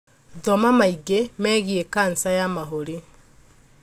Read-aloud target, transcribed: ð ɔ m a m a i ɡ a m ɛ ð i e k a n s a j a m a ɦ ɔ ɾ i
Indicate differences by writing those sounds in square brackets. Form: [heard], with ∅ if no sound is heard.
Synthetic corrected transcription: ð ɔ m a m a i ɡ [e] m ɛ [ɣ] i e k a n s a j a m a ɦ [o] ɾ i